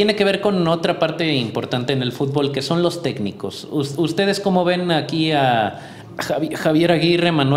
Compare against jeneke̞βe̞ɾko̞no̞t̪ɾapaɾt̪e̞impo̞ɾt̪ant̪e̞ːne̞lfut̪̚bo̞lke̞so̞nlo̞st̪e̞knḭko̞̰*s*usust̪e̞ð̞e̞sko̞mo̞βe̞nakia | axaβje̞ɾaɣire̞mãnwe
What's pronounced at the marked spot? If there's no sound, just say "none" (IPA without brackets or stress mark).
s